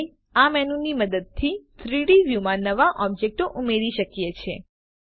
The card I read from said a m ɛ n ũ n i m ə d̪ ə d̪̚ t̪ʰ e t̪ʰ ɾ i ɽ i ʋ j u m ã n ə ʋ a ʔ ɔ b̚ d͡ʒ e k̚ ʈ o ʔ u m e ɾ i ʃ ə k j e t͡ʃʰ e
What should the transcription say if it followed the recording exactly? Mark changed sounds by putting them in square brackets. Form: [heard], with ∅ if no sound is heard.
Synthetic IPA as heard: a m ɛ n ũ n i m ə d̪ ə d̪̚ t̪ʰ [i] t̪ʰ ɾ i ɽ i ʋ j u m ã n ə ʋ a ʔ ɔ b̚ d͡ʒ e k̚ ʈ o ʔ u m e ɾ i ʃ ə k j e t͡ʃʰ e